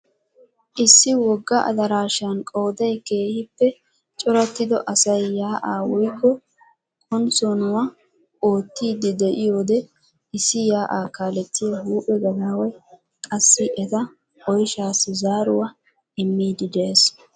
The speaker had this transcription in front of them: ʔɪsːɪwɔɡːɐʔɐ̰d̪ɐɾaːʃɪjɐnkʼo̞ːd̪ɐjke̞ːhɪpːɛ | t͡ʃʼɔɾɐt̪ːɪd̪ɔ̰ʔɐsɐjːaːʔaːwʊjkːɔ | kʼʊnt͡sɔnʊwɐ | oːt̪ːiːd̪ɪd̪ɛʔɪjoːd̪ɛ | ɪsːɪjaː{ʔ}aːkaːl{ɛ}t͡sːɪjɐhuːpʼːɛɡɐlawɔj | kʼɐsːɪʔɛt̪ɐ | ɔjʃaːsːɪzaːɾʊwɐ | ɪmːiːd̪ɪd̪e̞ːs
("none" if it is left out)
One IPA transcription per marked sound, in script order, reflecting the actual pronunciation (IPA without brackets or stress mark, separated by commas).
ʔ, ɛ